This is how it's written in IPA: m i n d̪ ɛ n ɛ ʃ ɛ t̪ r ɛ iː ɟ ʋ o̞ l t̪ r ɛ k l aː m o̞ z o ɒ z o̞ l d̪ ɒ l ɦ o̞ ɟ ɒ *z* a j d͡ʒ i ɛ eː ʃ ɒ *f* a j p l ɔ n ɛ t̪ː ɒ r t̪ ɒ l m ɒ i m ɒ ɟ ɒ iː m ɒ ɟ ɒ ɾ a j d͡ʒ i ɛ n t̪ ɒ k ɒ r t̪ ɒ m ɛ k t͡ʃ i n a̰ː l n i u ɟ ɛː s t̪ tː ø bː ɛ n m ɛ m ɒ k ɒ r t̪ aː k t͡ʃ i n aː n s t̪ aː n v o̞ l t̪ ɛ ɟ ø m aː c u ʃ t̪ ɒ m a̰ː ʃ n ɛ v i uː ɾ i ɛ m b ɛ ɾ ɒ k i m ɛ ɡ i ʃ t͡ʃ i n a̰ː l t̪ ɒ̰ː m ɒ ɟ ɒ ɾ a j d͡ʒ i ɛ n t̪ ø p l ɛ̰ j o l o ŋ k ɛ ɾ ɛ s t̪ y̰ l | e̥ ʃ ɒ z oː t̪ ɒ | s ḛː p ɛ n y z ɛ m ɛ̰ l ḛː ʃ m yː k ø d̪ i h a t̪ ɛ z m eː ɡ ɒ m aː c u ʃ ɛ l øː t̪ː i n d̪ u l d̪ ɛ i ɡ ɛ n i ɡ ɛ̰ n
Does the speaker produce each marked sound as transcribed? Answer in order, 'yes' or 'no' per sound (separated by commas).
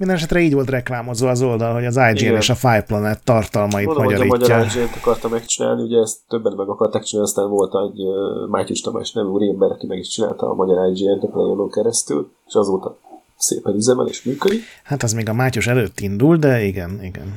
yes, yes